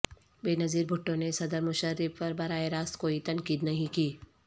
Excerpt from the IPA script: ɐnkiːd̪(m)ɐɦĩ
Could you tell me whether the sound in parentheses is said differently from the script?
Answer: yes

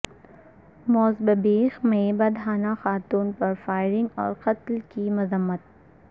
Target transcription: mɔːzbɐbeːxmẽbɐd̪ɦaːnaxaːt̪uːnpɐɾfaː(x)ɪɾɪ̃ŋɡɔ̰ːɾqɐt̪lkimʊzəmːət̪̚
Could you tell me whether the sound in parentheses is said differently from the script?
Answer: yes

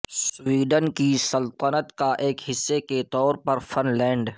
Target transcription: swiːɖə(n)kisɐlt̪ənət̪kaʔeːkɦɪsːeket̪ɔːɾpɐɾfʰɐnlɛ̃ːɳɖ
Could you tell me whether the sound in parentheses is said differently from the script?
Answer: no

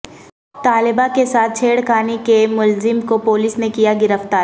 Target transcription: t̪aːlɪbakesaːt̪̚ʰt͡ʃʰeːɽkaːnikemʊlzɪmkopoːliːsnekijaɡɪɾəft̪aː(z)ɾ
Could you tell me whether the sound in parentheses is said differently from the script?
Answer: yes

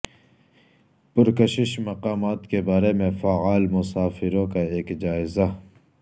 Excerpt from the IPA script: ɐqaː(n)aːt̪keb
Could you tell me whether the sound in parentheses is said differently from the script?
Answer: yes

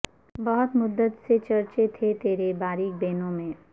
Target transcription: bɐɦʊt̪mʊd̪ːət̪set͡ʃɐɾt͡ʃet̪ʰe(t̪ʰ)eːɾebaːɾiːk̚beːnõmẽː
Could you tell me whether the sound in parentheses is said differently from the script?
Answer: yes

